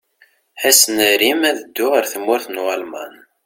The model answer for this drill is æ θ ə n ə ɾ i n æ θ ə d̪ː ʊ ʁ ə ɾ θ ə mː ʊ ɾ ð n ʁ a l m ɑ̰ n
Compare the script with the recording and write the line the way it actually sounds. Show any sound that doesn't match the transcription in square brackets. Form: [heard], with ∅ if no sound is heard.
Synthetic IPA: æ [s] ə n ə ɾ i [m] æ [ð] ə d̪ː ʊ ʁ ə ɾ θ ə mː ʊ ɾ [θ] n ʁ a l m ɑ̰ n